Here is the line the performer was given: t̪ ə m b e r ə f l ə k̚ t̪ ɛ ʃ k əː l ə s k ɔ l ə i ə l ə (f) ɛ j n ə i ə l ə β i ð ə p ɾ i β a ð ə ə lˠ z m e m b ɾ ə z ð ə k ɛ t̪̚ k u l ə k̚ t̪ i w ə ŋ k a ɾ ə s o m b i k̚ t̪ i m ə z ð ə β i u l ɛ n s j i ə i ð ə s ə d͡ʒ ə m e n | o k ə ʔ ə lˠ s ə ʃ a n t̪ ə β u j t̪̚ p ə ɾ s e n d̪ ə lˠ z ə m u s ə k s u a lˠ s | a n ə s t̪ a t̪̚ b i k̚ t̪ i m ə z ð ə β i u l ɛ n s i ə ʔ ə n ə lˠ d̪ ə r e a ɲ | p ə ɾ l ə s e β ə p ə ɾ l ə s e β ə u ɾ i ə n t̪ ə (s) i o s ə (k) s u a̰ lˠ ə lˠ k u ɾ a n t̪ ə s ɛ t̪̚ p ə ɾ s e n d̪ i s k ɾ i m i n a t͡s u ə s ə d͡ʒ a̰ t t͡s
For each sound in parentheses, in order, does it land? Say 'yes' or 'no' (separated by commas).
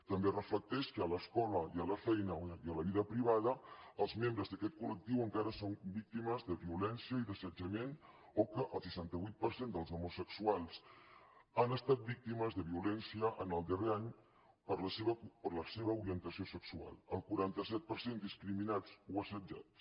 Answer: yes, yes, yes